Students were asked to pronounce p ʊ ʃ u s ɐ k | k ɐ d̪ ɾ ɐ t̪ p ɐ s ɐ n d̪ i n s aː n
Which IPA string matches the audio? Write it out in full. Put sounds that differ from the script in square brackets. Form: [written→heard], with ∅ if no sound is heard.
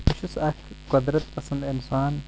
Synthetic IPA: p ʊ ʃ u s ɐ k | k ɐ d̪ ɾ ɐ t̪ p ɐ s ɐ n d̪ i n s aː n